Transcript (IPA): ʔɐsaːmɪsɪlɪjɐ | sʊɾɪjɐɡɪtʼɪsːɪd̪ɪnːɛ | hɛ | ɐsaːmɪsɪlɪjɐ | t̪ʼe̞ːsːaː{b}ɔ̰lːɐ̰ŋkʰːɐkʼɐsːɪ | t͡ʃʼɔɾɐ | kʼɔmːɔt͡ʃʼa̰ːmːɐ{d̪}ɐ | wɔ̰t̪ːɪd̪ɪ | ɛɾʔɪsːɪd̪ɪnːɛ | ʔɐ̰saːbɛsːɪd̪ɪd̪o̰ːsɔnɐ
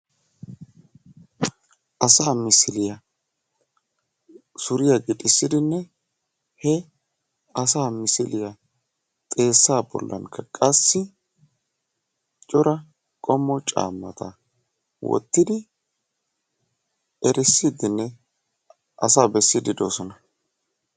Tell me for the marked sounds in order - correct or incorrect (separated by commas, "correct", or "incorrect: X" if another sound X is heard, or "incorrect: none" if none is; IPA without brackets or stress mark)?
correct, incorrect: t̪